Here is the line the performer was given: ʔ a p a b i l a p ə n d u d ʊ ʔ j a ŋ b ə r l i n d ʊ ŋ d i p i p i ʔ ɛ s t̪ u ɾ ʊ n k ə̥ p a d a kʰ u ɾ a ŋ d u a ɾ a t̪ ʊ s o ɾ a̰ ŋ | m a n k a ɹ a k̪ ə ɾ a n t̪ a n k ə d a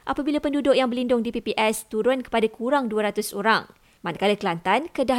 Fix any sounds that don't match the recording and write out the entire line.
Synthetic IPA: ʔ a p a b i l a p ə n d u d ʊ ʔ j a ŋ b ə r l i n d ʊ ŋ d i p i p i ʔ ɛ s t̪ u ɾ ʊ n k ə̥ p a d a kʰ u ɾ a ŋ d u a ɾ a t̪ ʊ s o ɾ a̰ ŋ | m a n k a l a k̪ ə l a n t̪ a n k ə d a